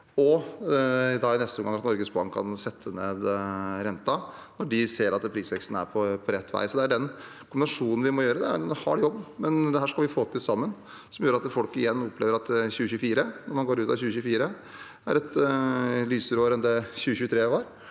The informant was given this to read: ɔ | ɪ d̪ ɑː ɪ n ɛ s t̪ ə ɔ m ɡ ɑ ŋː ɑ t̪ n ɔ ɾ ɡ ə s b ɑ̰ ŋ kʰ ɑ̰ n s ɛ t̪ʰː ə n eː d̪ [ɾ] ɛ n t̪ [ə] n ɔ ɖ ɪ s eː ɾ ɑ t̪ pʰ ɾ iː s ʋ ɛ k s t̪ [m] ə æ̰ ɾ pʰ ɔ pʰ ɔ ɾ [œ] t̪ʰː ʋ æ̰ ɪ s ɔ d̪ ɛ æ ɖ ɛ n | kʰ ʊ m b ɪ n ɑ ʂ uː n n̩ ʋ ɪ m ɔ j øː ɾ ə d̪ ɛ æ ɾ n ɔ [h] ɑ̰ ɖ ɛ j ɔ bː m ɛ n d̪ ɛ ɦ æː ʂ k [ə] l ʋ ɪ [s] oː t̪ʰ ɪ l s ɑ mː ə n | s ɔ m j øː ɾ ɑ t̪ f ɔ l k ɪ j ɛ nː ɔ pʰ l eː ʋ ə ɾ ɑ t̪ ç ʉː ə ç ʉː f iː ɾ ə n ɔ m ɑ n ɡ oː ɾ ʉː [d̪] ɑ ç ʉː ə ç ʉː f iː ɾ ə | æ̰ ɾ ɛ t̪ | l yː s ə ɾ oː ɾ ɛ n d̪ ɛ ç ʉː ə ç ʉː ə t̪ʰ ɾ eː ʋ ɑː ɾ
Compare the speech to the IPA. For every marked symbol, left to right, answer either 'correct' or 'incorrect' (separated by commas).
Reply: correct, incorrect, incorrect, incorrect, correct, incorrect, incorrect, incorrect